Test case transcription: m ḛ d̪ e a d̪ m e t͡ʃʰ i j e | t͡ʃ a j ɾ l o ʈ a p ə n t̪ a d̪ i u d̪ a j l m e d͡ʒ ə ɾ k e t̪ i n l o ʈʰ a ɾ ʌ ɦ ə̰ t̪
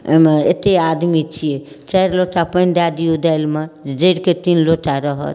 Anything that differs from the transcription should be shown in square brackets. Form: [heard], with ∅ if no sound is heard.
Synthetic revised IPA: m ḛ [t̪] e a d̪ m [i] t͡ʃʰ i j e | t͡ʃ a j ɾ l o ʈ a p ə n [d̪] a d̪ i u d̪ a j l m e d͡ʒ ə ɾ k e t̪ i n l o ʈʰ a ɾ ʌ ɦ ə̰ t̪